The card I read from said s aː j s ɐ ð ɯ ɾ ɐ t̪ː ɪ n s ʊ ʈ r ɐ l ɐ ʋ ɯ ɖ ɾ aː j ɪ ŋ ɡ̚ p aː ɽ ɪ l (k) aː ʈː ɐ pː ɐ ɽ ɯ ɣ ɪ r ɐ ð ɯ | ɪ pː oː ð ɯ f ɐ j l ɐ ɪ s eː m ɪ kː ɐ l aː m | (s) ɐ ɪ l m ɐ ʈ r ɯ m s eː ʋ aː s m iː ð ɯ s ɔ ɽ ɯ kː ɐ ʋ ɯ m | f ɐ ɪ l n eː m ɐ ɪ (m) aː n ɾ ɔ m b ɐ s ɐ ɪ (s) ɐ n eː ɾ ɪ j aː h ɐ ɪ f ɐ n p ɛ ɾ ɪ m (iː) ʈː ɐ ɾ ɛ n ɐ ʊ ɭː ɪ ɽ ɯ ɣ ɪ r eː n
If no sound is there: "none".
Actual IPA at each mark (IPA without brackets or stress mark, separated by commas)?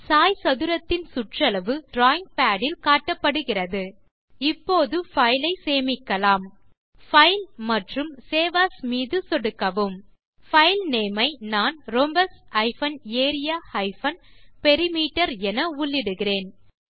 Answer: k, f, n, f, iː